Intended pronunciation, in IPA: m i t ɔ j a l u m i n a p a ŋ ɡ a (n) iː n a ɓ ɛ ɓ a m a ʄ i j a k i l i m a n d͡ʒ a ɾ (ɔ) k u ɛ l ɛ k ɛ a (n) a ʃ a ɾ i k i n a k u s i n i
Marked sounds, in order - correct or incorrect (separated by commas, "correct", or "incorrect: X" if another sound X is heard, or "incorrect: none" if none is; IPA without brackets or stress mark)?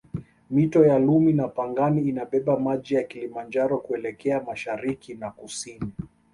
correct, correct, incorrect: m